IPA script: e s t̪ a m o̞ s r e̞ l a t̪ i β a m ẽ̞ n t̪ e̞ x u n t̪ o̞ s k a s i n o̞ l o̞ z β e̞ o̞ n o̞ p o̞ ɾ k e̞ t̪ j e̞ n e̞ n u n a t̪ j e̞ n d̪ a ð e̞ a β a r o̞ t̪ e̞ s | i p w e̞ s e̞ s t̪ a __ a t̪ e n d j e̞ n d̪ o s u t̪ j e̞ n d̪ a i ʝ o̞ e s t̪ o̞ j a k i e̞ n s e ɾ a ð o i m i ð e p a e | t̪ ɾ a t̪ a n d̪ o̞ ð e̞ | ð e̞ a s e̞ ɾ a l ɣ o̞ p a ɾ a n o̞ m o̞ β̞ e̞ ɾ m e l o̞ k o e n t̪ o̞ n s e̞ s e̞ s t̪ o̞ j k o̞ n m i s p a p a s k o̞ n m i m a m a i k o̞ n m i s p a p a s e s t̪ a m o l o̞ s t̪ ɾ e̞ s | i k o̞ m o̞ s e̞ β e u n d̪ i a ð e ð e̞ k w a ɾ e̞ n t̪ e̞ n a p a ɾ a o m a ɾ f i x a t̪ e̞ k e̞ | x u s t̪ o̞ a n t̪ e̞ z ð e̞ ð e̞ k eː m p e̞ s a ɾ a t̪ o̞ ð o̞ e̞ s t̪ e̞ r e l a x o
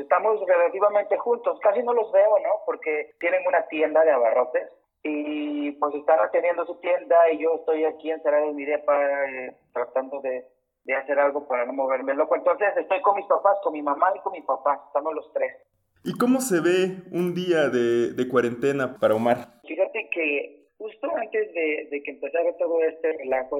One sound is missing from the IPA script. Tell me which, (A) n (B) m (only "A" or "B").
A